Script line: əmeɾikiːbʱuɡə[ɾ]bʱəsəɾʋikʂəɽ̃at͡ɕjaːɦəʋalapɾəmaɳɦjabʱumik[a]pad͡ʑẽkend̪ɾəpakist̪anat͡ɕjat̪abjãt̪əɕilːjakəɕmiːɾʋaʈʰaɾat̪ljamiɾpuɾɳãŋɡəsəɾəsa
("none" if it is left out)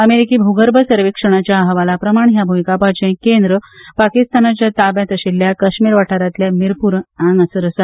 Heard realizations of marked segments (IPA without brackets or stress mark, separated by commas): ɾ, a